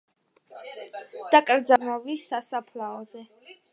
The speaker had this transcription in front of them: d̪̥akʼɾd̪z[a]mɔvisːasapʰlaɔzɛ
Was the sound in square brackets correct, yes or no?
yes